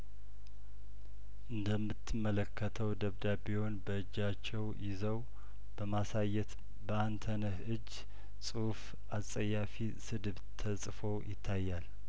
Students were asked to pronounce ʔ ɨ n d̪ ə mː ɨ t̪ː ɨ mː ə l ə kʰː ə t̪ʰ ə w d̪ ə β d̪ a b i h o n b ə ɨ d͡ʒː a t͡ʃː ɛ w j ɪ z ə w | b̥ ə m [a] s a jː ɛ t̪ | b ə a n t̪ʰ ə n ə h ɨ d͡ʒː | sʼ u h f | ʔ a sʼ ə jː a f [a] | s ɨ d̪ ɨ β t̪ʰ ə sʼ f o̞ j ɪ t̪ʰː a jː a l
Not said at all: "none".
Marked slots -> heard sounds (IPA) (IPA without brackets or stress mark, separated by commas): a, i